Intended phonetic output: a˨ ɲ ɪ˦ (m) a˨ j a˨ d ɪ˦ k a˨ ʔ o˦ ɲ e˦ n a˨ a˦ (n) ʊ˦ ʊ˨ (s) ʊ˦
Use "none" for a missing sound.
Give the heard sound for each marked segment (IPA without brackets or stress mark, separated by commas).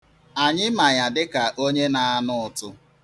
m, n, t